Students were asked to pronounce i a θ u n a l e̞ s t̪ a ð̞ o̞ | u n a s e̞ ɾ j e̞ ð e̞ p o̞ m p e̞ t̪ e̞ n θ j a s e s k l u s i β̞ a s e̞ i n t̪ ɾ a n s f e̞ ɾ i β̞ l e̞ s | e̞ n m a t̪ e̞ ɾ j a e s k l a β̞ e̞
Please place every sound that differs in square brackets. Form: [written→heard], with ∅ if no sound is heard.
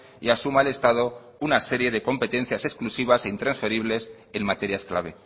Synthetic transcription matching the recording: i a [θ→s] u [n→m] a l e̞ s t̪ a ð̞ o̞ | u n a s e̞ ɾ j e̞ ð e̞ [p→k] o̞ m p e̞ t̪ e̞ n θ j a s e s k l u s i β̞ a s e̞ i n t̪ ɾ a n s f e̞ ɾ i β̞ l e̞ s | e̞ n m a t̪ e̞ ɾ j a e s k l a β̞ e̞